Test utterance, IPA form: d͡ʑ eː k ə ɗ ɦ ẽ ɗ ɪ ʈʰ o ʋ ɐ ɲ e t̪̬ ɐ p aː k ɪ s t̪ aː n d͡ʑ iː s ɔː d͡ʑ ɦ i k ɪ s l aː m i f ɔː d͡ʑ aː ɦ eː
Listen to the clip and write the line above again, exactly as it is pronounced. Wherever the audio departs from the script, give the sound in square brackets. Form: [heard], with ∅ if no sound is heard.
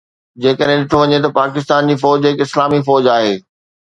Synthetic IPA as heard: d͡ʑ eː k ə ɗ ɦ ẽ ɗ ɪ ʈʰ o ʋ ɐ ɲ e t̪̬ ɐ p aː k ɪ s t̪ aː n d͡ʑ iː [f] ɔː d͡ʑ ɦ [ɪ] k ɪ s l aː m i f ɔː d͡ʑ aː ɦ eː